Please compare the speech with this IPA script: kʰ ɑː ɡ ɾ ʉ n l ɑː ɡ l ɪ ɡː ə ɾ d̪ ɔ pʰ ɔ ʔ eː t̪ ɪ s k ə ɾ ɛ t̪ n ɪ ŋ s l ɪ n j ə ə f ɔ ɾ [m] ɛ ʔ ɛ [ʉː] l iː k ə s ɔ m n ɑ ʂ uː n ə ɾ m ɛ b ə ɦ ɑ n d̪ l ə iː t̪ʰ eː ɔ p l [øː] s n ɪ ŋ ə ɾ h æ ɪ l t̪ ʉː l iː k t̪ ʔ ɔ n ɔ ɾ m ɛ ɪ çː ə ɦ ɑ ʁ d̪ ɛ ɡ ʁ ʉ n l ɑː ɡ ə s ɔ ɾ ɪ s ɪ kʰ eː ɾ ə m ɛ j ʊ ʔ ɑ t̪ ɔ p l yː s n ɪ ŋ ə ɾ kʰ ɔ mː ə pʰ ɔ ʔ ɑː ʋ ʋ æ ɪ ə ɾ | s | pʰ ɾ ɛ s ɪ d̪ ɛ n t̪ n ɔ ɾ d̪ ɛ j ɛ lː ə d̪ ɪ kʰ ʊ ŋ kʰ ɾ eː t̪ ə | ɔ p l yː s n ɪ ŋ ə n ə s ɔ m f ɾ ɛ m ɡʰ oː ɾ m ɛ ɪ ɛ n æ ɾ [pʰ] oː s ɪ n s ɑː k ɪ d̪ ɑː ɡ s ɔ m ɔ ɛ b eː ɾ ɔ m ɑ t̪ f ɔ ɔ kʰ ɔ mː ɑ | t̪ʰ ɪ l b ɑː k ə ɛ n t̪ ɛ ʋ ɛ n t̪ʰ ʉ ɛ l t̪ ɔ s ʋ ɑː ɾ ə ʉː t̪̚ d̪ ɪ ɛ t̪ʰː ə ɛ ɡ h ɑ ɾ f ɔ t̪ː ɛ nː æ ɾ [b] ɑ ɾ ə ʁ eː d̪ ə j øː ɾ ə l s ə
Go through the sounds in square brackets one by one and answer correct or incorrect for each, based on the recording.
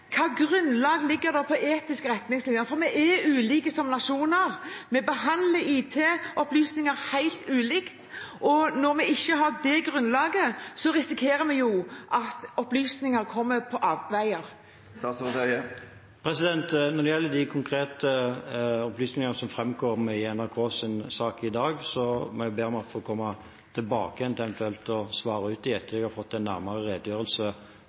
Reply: correct, correct, incorrect: yː, incorrect: kʰ, incorrect: m

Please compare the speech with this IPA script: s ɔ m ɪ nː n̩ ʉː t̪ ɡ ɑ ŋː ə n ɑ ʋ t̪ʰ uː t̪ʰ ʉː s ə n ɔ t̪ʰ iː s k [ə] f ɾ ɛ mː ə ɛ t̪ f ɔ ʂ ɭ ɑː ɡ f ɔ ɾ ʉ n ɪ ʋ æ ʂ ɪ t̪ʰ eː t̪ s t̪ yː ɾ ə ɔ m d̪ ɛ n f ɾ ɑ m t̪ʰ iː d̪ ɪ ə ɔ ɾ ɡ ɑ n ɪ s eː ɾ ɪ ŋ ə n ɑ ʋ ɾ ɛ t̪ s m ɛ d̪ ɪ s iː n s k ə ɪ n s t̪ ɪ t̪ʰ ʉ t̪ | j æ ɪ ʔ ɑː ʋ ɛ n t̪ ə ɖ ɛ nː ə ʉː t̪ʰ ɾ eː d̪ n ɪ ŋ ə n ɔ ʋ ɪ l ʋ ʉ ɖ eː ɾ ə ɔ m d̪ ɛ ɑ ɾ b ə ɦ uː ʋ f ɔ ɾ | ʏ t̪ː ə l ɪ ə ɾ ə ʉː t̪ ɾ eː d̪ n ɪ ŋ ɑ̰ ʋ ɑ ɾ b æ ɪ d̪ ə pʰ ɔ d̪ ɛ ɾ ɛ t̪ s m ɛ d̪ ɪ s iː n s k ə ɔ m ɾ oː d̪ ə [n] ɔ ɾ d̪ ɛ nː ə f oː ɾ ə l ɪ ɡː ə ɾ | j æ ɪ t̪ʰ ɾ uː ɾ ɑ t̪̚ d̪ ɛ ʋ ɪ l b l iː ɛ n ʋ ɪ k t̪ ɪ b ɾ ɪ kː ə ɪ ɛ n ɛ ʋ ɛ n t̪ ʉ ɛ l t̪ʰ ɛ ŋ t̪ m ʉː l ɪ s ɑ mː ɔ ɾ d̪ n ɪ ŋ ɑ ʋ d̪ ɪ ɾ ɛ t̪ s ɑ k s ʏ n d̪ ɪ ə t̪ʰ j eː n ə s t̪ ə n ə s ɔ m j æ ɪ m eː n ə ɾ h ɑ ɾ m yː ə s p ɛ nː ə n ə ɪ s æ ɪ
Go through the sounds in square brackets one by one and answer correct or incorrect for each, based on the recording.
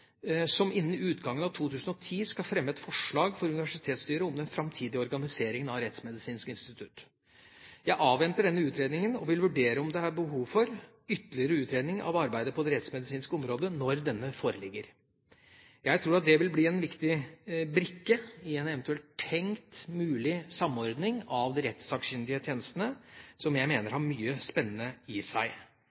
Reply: incorrect: ɑ, correct

